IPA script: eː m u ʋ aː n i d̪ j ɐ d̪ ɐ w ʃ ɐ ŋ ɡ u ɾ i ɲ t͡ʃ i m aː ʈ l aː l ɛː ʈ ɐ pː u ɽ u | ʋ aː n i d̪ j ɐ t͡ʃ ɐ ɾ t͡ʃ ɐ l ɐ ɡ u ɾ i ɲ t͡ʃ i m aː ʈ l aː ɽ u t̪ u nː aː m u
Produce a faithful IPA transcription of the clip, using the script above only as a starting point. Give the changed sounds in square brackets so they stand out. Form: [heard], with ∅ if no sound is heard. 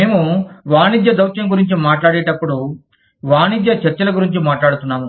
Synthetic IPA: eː m u ʋ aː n i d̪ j ɐ d̪ ɐ w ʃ ɐ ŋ ɡ u ɾ i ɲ t͡ʃ i m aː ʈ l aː [ɽ] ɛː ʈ ɐ pː u ɽ u | ʋ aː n i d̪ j ɐ t͡ʃ ɐ ɾ t͡ʃ ɐ l ɐ ɡ u ɾ i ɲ t͡ʃ i m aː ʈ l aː ɽ u t̪ u nː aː m u